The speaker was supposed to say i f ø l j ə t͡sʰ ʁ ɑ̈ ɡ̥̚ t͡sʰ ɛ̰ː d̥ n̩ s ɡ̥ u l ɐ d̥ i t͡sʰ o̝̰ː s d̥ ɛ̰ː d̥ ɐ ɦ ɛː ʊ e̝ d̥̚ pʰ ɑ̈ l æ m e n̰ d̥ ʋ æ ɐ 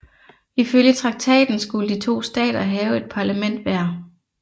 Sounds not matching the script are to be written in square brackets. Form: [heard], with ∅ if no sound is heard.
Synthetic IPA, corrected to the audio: i f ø l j ə t͡sʰ ʁ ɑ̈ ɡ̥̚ t͡sʰ ɛ̰ː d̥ n̩ s ɡ̥ u l [ə] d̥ i t͡sʰ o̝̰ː s d̥ ɛ̰ː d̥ ɐ ɦ ɛː ʊ e̝ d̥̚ pʰ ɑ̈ l æ m e n̰ d̥ ʋ æ ɐ